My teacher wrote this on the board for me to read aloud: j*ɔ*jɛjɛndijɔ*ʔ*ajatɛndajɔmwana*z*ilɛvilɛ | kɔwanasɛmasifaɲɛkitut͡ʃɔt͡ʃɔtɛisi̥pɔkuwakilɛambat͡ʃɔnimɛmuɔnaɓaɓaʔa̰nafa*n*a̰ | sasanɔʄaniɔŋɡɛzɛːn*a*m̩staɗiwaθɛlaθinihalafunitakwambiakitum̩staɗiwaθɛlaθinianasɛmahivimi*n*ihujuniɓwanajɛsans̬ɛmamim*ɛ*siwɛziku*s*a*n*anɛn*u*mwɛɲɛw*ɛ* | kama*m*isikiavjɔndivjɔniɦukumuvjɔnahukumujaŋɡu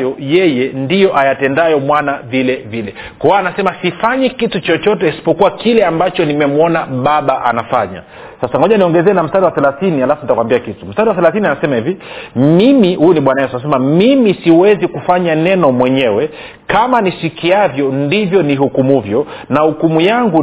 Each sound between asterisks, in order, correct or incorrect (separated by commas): correct, correct, incorrect, incorrect, correct, incorrect, incorrect, incorrect, incorrect, incorrect, correct, incorrect